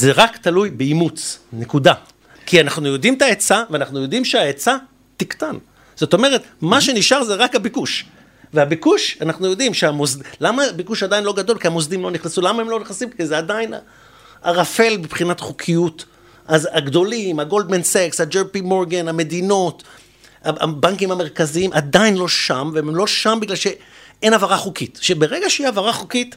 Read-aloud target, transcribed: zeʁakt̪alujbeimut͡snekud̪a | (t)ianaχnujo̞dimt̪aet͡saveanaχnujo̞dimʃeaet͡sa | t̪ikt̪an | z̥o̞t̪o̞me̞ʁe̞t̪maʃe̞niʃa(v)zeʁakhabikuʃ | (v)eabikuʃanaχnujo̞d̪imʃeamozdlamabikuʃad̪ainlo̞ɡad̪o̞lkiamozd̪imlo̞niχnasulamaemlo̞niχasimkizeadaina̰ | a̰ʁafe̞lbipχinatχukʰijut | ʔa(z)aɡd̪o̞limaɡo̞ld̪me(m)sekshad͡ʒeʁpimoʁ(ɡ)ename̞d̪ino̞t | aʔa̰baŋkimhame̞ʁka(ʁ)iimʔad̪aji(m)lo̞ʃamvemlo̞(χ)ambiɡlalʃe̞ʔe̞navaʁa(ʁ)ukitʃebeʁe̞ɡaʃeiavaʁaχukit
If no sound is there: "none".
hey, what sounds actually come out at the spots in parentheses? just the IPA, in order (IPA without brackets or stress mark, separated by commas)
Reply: k, ʁ, v, z, n, ɡ, z, n, ʃ, χ